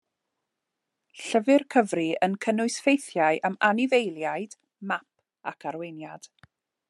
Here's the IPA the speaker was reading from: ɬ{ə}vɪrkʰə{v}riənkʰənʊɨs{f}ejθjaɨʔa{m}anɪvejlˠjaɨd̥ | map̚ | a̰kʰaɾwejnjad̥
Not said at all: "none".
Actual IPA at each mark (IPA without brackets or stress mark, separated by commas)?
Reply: ə, v, f, m